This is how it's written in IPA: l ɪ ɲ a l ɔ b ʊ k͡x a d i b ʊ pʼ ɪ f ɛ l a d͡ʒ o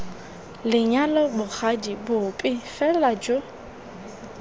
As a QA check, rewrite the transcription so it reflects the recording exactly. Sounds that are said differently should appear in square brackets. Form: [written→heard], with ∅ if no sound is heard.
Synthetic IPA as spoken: l ɪ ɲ a l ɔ b ʊ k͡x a d i b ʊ pʼ ɪ f ɛ l a d͡ʒ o